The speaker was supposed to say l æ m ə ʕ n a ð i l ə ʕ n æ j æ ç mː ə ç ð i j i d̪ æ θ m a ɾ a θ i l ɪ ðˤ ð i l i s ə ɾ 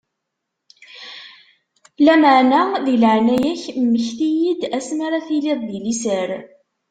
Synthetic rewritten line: l æ m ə ʕ n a ð i l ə ʕ n æ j æ ç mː ə ç θ i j i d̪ æ s m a ɾ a θ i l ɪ ðˤ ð i l i s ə ɾ